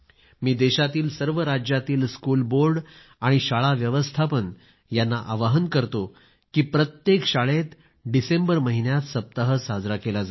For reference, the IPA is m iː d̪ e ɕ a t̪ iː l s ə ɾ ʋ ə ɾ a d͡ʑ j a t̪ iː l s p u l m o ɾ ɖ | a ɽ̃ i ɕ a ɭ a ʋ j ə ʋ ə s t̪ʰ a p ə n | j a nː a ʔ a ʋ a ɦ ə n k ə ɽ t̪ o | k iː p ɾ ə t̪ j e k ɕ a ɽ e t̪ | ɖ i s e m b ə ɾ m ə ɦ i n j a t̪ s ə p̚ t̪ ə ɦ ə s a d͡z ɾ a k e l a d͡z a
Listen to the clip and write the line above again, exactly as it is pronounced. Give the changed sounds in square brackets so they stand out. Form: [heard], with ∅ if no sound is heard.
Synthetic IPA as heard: m iː d̪ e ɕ a t̪ iː l s ə ɾ ʋ ə ɾ a d͡ʑ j a t̪ iː l s [k] u l [b] o ɾ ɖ | a ɽ̃ i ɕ a ɭ a ʋ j ə ʋ ə s t̪ʰ a p ə n | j a nː a ʔ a ʋ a ɦ ə n k ə [ɾ] t̪ o | k iː p ɾ ə t̪ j e k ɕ a [ɭ] e t̪ | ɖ i s e m b ə ɾ m ə ɦ i n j a t̪ s ə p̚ t̪ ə ɦ ə s a d͡z ɾ a k e l a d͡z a